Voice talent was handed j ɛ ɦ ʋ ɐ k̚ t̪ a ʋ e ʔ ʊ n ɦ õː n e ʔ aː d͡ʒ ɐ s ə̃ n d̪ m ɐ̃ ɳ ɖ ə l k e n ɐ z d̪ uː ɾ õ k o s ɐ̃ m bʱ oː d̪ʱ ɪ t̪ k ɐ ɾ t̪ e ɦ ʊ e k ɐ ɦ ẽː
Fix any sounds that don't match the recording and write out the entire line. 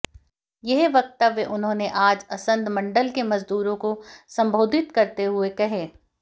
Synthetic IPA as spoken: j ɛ ɦ ʋ ɐ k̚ t̪ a ʋ e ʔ ʊ n ɦ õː n e ʔ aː d͡ʒ ɐ s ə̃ n d̪ m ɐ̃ ɳ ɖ ə l k e m ɐ z d̪ uː ɾ õ k o s ɐ̃ m bʱ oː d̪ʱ ɪ t̪ k ɐ ɾ t̪ e ɦ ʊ e k ɐ ɦ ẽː

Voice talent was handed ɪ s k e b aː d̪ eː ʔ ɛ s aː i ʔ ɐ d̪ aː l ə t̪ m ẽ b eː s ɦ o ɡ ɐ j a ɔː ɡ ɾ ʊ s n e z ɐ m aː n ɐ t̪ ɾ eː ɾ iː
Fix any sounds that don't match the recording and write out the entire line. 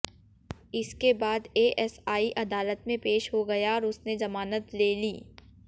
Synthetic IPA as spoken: ɪ s k e b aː d̪ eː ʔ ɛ s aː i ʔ ɐ d̪ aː l ə t̪ m ẽ p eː ʃ ɦ o ɡ ɐ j a ɔː ɾ ʊ s n e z ɐ m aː n ə t̪ l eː l iː

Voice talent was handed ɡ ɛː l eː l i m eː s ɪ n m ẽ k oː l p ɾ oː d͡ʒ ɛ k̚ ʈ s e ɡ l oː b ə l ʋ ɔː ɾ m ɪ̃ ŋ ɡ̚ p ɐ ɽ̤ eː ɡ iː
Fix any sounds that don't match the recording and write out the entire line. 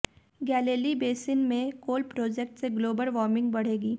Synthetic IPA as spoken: ɡ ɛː l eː l i b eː s ɪ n m ẽ k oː l p ɾ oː d͡ʒ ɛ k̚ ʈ s e ɡ l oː b ə l ʋ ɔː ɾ m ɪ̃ ŋ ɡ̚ b ɐ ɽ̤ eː ɡ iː

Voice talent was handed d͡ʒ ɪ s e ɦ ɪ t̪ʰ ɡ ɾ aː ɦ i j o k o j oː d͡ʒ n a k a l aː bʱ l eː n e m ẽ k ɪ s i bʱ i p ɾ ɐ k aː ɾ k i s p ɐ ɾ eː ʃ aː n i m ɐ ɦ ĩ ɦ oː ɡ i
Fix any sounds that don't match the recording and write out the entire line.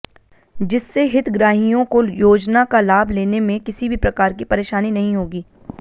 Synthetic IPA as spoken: d͡ʒ ɪ sː e ɦ ɪ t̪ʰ ɡ ɾ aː ɦ i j õ k o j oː d͡ʒ n a k a l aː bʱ l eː n e m ẽ k ɪ s i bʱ i p ɾ ɐ k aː ɾ k i p ɐ ɾ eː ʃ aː n i n ɐ ɦ ĩ ɦ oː ɡ iː

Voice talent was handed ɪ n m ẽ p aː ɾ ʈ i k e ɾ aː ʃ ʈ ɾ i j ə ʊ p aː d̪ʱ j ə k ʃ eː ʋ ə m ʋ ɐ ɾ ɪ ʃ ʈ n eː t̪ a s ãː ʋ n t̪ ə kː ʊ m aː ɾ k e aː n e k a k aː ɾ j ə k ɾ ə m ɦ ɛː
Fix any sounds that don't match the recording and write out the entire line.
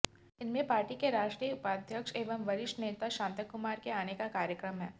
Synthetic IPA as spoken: ɪ n m ẽ p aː ɾ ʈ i k e ɾ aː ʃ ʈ ɾ i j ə ʊ p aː d̪ʱ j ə k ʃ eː ʋ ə m ʋ ɐ ɾ ɪ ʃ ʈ n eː t̪ a ʃ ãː n t̪ ə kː ʊ m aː ɾ k e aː n e k a k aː ɾ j ə k ɾ ə m ɦ ɛː

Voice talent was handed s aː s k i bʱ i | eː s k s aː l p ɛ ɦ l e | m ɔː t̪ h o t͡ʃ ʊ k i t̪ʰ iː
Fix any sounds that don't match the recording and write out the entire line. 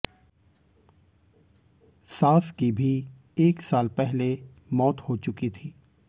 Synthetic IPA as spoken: s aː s k i bʱ i | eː k s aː l p ɛ ɦ l e | m ɔː t̪ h o t͡ʃ ʊ k i t̪ʰ iː

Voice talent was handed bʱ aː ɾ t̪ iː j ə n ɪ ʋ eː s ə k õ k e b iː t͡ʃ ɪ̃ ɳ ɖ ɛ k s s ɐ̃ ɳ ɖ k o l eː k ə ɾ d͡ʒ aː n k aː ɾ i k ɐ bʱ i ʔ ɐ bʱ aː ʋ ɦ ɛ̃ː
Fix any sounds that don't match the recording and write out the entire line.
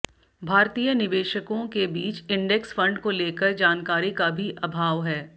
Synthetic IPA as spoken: bʱ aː ɾ t̪ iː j ə n ɪ ʋ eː ʃ ə k õ k e b iː t͡ʃ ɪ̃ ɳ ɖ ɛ k s f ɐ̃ ɳ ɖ k o l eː k ə ɾ d͡ʒ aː n k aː ɾ i k a bʱ i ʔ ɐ bʱ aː ʋ ɦ ɛː

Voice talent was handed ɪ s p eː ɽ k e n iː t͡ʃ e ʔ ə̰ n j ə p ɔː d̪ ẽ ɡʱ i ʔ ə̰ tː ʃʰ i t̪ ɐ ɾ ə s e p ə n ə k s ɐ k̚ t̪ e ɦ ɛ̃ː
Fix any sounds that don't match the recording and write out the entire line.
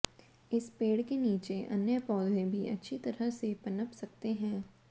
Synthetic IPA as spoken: ɪ s p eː ɽ k e n iː t͡ʃ e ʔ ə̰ n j ə p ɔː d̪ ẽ bʱ i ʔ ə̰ tː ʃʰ i t̪ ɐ ɾ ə s e p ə n ə p s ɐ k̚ t̪ e ɦ ɛ̃ː

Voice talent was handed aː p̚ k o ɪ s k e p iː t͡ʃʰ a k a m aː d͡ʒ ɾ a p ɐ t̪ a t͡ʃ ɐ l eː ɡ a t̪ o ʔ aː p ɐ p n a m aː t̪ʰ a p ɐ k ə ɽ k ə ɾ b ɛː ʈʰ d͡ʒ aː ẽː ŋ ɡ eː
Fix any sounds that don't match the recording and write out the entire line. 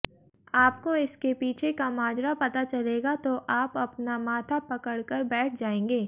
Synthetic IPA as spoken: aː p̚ k o ɪ s k e p iː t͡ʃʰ e k a m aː d͡ʒ ɾ a p ɐ t̪ a t͡ʃ ɐ l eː ɡ a t̪ o ʔ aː p ɐ p n a m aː t̪ʰ a p ɐ k ə ɽ k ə ɾ b ɛː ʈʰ d͡ʒ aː ẽː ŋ ɡ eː

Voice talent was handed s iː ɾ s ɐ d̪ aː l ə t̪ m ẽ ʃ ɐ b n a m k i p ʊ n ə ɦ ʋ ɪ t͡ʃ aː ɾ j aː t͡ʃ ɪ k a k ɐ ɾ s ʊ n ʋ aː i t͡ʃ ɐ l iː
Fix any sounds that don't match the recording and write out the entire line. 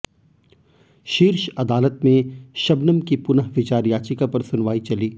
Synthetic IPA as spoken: ʃ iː ɾ ʃ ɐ d̪ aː l ə t̪ m ẽ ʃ ɐ b n ə m k i p ʊ n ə ɦ ʋ ɪ t͡ʃ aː ɾ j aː t͡ʃ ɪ k a p ɐ ɾ s ʊ n ʋ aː i t͡ʃ ɐ l iː

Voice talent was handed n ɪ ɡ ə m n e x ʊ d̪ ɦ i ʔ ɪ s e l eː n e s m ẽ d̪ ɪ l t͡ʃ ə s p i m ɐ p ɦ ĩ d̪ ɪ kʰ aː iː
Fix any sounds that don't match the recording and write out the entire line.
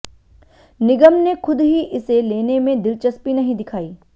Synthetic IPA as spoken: n ɪ ɡ ə m n e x ʊ d̪ ɦ i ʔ ɪ s e l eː n e m ẽ d̪ ɪ l t͡ʃ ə s p i n ɐ ɦ ĩ d̪ ɪ kʰ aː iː

